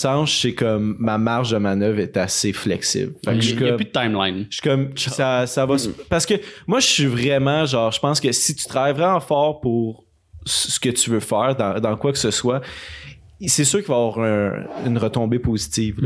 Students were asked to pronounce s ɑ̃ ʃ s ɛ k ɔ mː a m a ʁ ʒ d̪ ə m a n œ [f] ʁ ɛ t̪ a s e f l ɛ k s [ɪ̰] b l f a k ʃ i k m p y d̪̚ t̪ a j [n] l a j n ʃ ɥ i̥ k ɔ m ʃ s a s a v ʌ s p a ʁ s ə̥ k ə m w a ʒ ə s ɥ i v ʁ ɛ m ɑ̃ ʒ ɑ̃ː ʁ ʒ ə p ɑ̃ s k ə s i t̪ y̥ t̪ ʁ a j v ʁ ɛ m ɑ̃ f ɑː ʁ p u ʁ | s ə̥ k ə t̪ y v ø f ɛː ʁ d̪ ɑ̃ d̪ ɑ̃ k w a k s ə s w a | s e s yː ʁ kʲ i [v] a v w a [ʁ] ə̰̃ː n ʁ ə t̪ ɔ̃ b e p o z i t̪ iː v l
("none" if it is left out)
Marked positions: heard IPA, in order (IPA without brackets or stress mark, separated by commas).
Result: v, ɪ̰, m, v, ʁ